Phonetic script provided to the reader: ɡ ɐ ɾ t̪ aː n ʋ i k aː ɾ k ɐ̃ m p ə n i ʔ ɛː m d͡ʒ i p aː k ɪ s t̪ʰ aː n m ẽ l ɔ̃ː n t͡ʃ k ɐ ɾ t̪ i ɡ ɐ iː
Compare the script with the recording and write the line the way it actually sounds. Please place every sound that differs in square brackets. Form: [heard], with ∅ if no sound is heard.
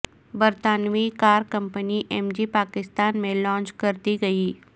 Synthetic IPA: [b] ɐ ɾ t̪ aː n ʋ i k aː ɾ k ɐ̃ m p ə n i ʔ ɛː m d͡ʒ i p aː k ɪ s [t̪] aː n m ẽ l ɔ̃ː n t͡ʃ k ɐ ɾ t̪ i ɡ ɐ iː